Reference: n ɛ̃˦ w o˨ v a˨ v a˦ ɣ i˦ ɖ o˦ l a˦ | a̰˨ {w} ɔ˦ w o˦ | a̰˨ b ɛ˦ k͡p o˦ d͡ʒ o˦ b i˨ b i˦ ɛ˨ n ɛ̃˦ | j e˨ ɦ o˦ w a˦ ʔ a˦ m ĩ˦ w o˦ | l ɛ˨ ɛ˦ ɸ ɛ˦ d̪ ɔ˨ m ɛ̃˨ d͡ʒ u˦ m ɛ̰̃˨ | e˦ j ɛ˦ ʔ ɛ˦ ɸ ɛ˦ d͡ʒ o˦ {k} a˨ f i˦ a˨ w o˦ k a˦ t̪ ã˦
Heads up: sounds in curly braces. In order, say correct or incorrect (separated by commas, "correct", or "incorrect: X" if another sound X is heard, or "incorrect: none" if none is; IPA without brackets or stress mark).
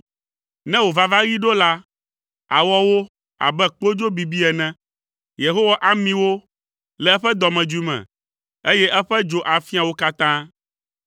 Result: correct, incorrect: ʔ